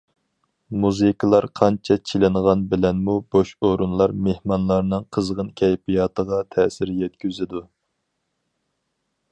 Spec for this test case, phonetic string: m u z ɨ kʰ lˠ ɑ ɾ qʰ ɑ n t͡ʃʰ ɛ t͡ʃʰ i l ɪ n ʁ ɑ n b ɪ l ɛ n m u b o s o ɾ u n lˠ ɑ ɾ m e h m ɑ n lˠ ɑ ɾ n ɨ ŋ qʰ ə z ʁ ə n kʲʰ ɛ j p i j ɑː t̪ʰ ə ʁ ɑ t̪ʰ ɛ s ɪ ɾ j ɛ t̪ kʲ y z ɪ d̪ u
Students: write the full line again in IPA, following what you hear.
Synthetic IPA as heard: m u z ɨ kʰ lˠ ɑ ɾ qʰ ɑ n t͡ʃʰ ɛ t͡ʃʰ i l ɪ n ʁ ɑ n b ɪ l ɛ n m u b o ʃ o ɾ u n lˠ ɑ ɾ m e h m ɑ n lˠ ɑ ɾ n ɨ ŋ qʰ ə z ʁ ə n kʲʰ ɛ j p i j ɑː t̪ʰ ə ʁ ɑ t̪ʰ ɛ s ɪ ɾ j ɛ t̪ kʲ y z ɪ d̪ u

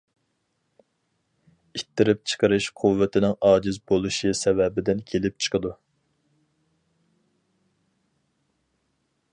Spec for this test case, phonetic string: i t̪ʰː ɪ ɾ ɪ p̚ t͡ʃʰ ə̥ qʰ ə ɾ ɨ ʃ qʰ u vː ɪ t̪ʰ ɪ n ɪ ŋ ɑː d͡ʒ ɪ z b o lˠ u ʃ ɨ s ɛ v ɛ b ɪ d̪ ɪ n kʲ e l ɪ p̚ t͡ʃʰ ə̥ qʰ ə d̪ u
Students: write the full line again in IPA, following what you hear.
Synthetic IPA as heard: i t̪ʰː ɪ ɾ ɪ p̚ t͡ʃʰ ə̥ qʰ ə ɾ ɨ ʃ qʰ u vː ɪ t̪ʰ ɪ n ɪ ŋ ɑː d͡ʒ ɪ z b o lˠ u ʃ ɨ s ɛ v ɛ b ɪ d̪ ɪ n kʲʰ e l ɪ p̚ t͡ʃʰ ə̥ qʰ ə d̪ u

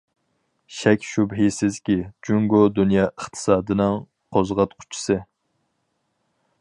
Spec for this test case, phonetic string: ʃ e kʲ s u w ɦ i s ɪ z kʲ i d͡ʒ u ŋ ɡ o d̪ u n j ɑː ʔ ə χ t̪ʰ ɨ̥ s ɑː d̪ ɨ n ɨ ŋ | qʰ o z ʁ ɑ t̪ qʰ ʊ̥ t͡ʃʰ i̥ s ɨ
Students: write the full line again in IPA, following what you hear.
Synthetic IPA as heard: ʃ ɛ kʲ ʃ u b ɦ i s ɪ z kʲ i d͡ʒ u ŋ ɡ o d̪ u n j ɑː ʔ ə χ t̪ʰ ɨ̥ s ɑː d̪ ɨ n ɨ ŋ | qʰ o z ʁ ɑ t̪ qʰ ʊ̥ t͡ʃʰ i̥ s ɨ

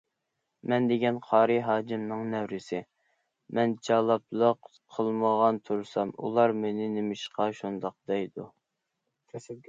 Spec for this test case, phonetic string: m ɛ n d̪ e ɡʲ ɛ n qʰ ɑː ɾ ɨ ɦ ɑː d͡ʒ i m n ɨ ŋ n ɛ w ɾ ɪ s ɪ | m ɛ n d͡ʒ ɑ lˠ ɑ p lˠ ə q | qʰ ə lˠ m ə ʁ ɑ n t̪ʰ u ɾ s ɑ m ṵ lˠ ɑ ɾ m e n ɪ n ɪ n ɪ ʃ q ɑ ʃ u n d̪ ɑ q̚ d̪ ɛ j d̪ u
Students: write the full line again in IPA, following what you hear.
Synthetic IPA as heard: m ɛ n d̪ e ɡʲ ɛ n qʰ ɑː ɾ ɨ ɦ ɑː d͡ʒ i m n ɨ ŋ n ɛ w ɾ ɪ s ɪ | m ɛ n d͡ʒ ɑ lˠ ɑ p lˠ ə q | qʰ ə lˠ m ə ʁ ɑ n t̪ʰ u ɾ s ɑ m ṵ lˠ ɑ ɾ m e n ɪ n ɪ m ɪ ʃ q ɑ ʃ u n d̪ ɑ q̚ d̪ ɛ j d̪ u

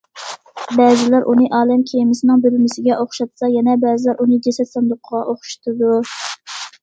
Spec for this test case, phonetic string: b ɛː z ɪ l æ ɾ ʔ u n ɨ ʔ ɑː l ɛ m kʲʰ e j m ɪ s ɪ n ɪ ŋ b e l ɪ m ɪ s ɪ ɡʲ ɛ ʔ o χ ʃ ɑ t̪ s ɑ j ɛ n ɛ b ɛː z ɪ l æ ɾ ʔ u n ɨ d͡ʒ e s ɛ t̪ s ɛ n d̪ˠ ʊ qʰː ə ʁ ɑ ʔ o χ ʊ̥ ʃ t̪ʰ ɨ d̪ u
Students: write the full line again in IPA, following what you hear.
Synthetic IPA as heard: b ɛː z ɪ l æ ɾ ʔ u n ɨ ʔ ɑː l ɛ m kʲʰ e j m ɪ s ɪ n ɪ ŋ b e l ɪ m ɪ s ɪ ɡʲ ɛ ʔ o χ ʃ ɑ t̪ s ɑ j ɛ n ɛ b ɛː z ɪ l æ ɾ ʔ u n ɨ d͡ʒ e s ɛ t̪ s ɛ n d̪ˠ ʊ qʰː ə ʁ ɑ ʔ o χ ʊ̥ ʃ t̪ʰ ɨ d̪ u

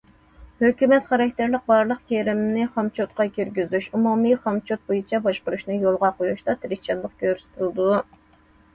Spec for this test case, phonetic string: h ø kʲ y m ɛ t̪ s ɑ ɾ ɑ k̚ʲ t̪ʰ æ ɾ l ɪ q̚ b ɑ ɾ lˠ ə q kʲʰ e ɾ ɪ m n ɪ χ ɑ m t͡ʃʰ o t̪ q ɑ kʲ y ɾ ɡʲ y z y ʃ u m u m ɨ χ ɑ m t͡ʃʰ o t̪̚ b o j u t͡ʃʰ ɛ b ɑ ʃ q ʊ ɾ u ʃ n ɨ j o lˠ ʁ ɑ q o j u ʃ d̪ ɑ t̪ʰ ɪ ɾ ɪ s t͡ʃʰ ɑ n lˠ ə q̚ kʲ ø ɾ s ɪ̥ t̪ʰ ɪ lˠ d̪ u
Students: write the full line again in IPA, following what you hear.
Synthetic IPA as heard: h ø kʲ y m ɛ t̪ χ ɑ ɾ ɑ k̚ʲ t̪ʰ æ ɾ l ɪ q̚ b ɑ ɾ lˠ ə q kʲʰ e ɾ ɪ m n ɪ χ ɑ m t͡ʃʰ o t̪ q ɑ kʲ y ɾ ɡʲ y z y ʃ u m u m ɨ χ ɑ m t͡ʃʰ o t̪̚ b o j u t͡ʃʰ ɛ b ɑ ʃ q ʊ ɾ u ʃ n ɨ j o lˠ ʁ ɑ q o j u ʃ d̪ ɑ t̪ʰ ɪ ɾ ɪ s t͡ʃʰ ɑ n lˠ ə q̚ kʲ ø ɾ s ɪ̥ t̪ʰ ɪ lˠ d̪ u

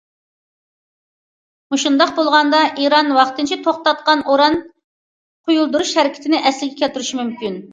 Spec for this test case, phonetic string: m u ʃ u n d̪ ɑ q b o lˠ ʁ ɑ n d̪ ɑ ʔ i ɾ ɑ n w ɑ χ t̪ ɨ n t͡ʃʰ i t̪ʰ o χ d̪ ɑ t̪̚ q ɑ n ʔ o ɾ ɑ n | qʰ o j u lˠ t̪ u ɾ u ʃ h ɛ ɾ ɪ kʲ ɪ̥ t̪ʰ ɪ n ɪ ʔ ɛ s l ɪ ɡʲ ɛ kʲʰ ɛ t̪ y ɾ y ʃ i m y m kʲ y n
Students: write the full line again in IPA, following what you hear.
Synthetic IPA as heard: m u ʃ u n d̪ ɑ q b o lˠ ʁ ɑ n d̪ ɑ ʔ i ɾ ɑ n w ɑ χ t̪ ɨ n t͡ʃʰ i t̪ʰ o χ t̪ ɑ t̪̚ q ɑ n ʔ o ɾ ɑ n | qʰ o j u lˠ d̪ u ɾ u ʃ h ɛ ɾ ɪ kʲ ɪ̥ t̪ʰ ɪ n ɪ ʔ ɛ s l ɪ ɡʲ ɛ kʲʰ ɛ t̪ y ɾ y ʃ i m y m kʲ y n

